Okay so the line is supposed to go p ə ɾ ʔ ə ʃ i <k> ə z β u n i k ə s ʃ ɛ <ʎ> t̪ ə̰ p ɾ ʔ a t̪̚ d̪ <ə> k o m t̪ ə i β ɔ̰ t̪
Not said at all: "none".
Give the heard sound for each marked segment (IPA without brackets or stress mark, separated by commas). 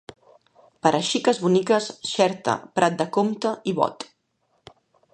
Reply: k, ɾ, ə